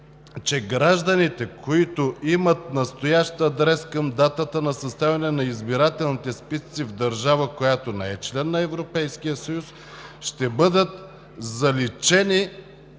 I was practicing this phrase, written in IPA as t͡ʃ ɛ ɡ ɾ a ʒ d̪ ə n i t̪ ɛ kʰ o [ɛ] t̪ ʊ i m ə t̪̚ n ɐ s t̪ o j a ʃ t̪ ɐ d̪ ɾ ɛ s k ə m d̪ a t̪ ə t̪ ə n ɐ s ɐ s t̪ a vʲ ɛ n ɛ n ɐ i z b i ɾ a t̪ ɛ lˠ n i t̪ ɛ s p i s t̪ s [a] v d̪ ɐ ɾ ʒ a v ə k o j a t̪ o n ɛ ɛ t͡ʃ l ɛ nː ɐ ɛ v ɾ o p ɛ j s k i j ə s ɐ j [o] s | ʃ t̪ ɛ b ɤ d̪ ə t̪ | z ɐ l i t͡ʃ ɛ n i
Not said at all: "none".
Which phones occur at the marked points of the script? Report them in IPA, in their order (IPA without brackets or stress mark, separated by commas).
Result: i, i, u